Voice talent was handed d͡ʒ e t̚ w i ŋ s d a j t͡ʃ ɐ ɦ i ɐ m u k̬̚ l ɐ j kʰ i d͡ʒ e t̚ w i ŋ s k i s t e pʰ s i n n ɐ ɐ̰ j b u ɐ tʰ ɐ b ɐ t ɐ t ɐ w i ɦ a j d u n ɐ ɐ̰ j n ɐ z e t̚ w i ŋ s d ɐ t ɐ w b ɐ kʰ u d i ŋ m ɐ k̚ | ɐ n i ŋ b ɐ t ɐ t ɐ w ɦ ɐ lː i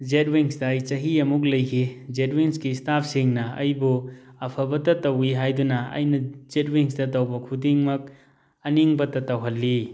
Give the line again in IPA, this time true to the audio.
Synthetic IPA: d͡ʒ e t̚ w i ŋ s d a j t͡ʃ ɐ ɦ i ɐ m u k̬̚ l ɐ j kʰ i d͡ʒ e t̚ w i ŋ s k i s t a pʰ s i ŋ n ɐ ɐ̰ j b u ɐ pʰ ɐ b ɐ t ɐ t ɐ w i ɦ a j d u n ɐ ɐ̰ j n ɐ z e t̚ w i ŋ s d ɐ t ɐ w b ɐ kʰ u d i ŋ m ɐ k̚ | ɐ n i ŋ b ɐ t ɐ t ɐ w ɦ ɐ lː i